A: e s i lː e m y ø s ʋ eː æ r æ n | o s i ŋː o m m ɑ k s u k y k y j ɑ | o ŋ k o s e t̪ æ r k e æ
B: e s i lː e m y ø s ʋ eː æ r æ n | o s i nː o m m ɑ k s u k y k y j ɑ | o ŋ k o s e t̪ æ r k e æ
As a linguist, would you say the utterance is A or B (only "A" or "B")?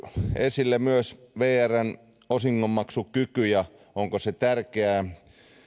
A